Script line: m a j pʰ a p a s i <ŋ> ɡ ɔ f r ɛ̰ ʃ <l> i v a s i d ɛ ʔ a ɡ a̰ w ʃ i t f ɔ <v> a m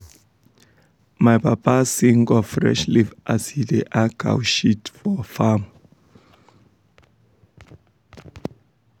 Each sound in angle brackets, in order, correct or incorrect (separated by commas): correct, correct, incorrect